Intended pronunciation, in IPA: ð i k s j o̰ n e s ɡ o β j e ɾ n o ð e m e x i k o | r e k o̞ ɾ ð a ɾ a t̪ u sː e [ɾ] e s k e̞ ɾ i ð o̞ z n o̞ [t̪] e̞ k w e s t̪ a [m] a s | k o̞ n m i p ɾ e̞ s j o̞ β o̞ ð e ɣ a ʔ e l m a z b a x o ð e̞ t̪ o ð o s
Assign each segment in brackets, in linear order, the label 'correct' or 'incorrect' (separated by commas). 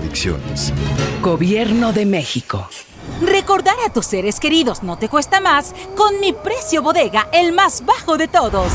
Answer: correct, correct, correct